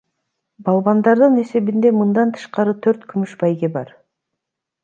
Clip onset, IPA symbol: b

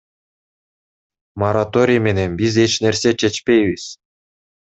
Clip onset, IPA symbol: m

